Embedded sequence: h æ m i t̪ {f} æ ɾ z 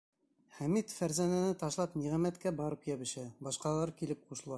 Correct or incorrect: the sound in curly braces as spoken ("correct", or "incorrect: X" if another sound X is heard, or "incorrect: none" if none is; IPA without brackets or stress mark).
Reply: correct